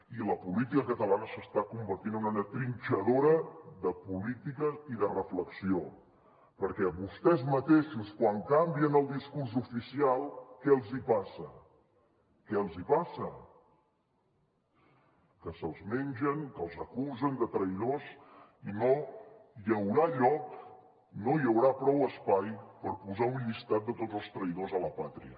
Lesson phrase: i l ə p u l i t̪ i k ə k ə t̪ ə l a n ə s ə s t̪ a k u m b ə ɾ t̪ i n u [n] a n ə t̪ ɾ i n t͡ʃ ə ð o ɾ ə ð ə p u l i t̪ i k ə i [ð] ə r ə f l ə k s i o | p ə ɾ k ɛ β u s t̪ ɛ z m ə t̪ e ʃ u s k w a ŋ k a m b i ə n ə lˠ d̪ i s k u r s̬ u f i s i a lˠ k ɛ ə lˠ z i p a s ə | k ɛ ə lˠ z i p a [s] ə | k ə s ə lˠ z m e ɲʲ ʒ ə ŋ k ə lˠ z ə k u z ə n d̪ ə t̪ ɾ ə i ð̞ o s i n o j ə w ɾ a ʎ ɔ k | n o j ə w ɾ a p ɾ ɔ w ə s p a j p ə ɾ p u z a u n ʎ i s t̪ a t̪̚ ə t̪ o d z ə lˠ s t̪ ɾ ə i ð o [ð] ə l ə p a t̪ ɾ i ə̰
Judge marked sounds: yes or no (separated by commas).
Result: yes, yes, yes, no